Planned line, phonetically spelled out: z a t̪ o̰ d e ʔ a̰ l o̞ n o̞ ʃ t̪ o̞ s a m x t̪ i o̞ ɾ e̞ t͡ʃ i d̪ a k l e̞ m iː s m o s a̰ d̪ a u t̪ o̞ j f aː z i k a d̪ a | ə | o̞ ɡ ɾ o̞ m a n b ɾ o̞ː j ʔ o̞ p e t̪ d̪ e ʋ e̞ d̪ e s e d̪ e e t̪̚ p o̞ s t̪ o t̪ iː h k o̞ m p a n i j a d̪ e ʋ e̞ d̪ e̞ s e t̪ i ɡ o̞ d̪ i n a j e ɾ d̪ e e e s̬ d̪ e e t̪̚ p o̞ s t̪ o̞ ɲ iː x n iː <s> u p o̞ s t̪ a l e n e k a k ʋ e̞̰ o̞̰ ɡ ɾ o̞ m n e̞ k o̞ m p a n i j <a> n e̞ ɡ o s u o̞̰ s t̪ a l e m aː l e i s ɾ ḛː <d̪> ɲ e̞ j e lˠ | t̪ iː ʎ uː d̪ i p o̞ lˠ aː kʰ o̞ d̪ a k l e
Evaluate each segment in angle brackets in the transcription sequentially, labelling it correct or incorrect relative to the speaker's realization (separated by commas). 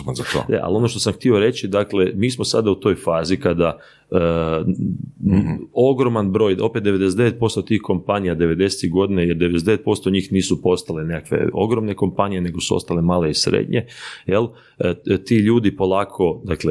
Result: correct, incorrect, correct